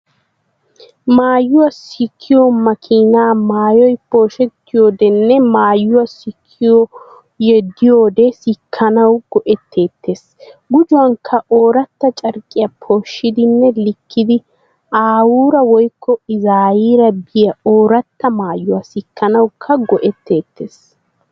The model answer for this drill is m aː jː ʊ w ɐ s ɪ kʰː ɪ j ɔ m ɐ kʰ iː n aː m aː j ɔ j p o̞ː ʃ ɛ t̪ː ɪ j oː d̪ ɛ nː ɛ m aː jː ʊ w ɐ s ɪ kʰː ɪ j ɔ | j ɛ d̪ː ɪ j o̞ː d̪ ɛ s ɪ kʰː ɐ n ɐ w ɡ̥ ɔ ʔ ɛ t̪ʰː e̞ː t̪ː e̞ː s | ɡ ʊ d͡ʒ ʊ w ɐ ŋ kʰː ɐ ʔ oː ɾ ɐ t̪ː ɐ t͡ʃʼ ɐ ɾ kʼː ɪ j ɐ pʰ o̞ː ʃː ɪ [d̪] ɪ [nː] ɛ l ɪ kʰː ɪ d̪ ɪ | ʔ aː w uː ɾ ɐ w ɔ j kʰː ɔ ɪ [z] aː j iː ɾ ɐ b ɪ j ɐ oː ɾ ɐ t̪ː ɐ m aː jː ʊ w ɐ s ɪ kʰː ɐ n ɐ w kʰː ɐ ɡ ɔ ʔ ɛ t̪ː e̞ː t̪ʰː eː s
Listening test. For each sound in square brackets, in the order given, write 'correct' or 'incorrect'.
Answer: correct, correct, correct

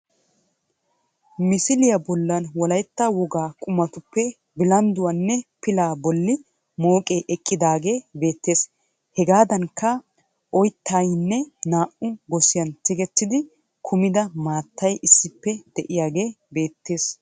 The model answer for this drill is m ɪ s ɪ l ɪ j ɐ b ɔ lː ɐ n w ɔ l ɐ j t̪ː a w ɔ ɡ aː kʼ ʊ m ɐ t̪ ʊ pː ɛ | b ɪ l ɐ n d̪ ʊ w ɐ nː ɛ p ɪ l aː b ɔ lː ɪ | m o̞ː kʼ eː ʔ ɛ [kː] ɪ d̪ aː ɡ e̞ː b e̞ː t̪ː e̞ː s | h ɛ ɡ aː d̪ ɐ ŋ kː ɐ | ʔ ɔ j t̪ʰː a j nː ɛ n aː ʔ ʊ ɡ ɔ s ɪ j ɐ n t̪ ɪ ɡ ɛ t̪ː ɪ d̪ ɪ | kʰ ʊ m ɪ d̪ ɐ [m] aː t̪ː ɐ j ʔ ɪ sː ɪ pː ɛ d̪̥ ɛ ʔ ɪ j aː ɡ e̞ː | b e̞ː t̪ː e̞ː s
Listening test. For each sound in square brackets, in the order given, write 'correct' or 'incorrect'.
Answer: incorrect: kʼː, correct

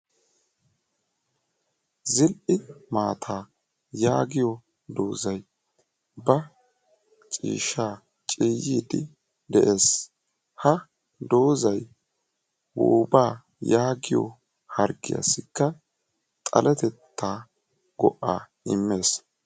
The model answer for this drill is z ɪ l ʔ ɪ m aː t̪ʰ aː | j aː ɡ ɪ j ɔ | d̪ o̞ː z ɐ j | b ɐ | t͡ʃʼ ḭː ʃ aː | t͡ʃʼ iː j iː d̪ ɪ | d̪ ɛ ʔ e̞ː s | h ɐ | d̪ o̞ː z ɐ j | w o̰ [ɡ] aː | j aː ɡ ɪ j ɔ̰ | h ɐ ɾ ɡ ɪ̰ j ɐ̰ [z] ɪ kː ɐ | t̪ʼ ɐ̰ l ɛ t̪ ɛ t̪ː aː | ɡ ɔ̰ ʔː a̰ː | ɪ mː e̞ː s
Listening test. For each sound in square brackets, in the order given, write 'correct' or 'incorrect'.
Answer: incorrect: b, incorrect: s

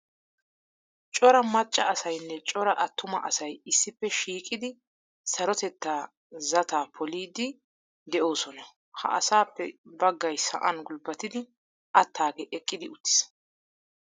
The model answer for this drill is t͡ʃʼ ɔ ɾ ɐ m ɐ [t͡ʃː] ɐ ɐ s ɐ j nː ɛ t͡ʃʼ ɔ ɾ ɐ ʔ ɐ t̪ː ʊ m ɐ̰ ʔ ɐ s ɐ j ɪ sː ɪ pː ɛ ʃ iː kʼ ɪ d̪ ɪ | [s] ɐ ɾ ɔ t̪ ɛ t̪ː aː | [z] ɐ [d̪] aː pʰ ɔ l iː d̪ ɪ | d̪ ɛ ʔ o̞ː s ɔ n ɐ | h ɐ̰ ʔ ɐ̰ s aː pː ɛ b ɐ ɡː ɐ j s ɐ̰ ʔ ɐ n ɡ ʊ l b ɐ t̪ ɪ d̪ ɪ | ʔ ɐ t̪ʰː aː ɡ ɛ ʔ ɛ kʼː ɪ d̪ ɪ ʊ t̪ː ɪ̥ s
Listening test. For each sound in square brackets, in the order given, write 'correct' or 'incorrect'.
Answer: incorrect: t͡ʃʼː, correct, correct, incorrect: t̪

